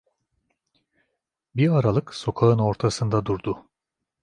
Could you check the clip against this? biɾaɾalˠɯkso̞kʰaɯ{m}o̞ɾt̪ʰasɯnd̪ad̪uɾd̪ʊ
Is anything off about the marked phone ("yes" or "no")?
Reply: yes